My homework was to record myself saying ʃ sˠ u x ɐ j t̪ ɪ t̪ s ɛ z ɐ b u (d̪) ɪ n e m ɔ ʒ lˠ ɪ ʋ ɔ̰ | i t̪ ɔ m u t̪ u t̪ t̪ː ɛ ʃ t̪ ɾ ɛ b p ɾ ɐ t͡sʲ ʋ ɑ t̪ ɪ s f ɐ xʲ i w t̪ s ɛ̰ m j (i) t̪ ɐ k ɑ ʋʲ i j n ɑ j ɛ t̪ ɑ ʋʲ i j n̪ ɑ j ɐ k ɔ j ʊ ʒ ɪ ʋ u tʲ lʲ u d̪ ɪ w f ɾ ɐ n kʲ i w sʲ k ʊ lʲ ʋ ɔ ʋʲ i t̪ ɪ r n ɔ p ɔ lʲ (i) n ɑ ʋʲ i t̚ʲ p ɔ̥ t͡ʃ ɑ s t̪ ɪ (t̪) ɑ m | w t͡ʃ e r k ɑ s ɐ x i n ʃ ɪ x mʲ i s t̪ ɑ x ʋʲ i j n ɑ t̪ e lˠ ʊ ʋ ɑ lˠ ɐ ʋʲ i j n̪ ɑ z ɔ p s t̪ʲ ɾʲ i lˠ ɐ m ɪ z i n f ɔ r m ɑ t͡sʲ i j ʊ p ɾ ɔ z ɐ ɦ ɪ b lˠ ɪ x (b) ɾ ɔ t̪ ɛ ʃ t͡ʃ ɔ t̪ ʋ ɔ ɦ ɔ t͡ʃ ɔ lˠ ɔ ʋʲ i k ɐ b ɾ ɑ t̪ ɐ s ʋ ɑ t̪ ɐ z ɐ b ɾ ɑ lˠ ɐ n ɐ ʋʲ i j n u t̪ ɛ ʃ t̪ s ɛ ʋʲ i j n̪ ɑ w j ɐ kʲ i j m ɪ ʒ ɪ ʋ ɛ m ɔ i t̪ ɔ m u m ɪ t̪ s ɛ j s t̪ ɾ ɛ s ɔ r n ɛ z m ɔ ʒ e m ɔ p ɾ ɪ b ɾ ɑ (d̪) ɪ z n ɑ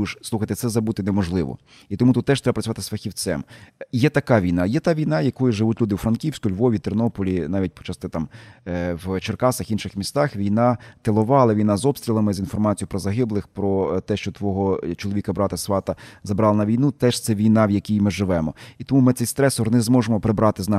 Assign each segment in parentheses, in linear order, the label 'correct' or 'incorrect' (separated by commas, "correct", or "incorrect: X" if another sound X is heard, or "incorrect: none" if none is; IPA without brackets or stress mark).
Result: incorrect: t̪, incorrect: ɛ, correct, correct, incorrect: p, incorrect: t̪